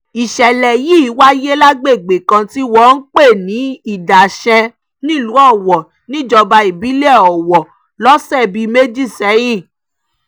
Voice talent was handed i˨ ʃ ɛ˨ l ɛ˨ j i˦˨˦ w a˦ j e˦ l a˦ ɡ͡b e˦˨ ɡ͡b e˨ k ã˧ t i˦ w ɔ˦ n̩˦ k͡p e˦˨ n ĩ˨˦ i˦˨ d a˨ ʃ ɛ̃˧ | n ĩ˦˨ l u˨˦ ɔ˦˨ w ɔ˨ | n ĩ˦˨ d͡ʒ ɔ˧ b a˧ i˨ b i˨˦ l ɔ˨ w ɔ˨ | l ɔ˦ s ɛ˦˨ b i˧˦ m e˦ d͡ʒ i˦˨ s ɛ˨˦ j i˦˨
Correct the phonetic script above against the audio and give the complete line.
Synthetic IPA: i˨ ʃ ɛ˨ l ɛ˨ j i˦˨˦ w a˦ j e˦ l a˦ ɡ͡b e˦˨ ɡ͡b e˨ k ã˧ t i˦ w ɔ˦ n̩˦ k͡p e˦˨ n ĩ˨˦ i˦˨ d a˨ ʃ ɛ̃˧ | n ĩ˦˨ l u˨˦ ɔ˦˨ w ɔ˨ | n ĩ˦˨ d͡ʒ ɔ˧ b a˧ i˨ b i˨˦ l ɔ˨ w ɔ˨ | l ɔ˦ s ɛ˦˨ b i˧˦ m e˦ d͡ʒ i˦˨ s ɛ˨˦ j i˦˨